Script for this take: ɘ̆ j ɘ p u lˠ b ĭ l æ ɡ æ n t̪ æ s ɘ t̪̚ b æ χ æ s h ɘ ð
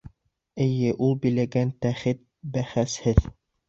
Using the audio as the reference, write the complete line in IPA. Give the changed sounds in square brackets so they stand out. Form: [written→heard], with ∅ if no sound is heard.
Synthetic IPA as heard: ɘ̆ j ɘ [p→ʔ] u lˠ b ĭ l æ ɡ æ n t̪ æ [s→χ] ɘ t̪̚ b æ χ æ s h ɘ ð